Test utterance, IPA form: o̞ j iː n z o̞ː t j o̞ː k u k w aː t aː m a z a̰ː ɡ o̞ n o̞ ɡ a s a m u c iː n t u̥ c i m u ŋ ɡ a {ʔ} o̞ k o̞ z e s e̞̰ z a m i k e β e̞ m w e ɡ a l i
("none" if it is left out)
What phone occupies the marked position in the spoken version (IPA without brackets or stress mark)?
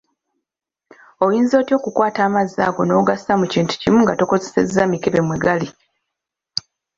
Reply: t